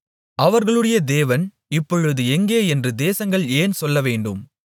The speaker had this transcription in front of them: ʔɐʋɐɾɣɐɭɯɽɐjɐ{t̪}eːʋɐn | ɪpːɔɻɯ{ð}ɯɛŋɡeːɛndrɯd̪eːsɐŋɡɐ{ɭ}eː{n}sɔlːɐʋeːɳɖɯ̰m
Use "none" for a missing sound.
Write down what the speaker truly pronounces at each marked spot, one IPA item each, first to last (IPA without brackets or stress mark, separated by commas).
d̪, ð, ɭ, n